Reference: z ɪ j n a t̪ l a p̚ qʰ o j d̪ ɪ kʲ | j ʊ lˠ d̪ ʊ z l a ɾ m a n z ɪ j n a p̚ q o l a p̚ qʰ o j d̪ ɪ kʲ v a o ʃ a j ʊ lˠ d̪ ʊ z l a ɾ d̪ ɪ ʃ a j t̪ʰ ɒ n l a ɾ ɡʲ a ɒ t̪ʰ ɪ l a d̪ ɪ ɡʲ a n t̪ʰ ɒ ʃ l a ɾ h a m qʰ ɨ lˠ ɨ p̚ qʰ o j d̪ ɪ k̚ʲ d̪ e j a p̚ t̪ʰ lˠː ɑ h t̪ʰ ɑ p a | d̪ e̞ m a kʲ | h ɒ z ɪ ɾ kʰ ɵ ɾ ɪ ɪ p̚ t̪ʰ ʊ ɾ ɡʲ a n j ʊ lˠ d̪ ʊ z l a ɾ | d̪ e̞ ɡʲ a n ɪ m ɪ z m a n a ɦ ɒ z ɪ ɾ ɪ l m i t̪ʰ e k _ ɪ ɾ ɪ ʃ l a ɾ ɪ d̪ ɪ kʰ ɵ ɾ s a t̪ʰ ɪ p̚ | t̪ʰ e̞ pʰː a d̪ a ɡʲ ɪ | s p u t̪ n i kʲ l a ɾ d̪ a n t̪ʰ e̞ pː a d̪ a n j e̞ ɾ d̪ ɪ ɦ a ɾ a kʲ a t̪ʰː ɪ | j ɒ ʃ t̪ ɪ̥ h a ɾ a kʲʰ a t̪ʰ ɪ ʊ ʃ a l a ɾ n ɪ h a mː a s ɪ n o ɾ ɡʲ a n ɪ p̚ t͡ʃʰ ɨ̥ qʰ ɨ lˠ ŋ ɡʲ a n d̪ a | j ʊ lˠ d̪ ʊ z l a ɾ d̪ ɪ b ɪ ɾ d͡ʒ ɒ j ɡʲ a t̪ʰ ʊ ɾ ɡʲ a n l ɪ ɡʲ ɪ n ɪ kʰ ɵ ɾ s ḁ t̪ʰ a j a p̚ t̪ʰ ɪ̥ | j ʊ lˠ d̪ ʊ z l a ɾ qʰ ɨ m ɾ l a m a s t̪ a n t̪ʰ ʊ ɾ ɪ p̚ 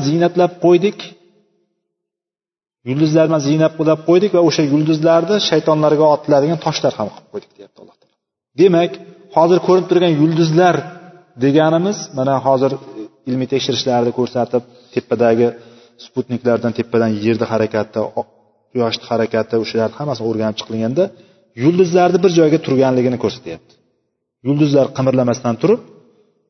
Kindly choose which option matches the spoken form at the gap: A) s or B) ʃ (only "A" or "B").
B